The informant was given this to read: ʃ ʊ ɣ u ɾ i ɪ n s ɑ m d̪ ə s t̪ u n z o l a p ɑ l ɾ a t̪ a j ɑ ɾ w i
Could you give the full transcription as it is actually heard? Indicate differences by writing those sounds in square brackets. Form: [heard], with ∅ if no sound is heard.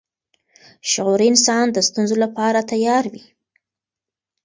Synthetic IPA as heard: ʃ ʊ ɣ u ɾ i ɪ n s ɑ [n] d̪ ə s t̪ u n z o l a p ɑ [∅] ɾ a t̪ a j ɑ ɾ w i